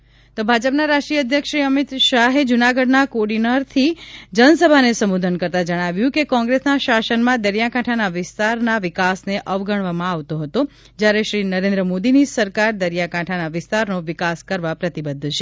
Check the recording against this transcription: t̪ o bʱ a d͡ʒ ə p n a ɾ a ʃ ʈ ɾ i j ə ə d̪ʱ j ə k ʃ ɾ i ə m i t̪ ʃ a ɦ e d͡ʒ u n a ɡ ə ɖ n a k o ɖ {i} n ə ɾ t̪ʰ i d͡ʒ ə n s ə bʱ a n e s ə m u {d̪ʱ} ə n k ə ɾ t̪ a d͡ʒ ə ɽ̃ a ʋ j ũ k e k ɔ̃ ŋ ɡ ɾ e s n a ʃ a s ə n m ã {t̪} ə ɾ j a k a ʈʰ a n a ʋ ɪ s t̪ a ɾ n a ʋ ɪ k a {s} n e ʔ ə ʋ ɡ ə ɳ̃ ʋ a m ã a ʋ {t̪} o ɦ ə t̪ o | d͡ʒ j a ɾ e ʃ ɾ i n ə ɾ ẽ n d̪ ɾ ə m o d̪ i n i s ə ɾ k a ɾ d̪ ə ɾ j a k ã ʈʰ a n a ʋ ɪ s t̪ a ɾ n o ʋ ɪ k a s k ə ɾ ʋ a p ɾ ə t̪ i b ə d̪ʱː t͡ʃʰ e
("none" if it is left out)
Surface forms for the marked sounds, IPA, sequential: i, d̪ʱ, d̪, s, t̪

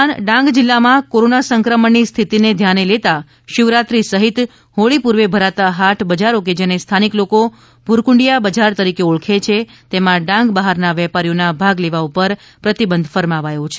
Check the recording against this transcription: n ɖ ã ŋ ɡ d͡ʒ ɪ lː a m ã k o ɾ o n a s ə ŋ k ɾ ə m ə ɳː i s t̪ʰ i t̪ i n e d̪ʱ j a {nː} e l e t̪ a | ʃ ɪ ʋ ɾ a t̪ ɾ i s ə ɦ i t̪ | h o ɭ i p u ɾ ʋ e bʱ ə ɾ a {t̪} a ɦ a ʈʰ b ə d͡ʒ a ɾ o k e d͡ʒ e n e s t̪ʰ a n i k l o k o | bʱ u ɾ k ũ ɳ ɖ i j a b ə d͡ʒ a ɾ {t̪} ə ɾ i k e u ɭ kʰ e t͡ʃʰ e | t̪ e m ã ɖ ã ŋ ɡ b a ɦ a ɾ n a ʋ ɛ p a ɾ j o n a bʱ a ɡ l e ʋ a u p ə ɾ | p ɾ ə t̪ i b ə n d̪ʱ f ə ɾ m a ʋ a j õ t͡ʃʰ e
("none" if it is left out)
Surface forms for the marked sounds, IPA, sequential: n, t̪, t̪

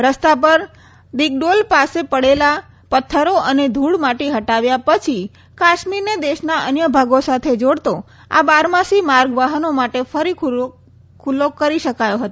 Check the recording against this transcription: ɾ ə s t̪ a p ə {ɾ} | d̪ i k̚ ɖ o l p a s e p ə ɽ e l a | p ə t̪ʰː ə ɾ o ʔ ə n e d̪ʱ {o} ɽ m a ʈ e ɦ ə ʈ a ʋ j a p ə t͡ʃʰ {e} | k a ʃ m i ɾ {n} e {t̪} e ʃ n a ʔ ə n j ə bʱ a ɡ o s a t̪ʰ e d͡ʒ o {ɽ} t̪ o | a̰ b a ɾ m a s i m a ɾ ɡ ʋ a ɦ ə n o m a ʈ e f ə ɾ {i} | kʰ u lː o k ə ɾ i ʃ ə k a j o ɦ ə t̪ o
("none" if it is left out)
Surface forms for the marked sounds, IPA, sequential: ɾ, u, i, n, d̪, ɽ, i

